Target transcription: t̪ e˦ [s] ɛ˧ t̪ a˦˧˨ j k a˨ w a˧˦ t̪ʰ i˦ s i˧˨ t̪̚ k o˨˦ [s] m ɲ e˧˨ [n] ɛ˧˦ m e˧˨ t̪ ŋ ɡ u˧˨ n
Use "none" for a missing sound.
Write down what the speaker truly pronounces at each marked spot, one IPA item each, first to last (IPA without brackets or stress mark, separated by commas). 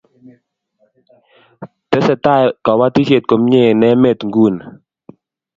s, none, n